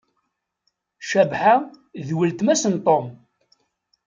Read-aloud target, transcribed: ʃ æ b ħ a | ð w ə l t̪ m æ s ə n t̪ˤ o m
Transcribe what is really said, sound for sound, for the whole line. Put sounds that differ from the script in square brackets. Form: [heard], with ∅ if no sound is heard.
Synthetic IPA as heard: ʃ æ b ħ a | ð w ə l t̪ m æ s ə n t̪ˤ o m